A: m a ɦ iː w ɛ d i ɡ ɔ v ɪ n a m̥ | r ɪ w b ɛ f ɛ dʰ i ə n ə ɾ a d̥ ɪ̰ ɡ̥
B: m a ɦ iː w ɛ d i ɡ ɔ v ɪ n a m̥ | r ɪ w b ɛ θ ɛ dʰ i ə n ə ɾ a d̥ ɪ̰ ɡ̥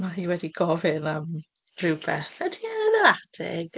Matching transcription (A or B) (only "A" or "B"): B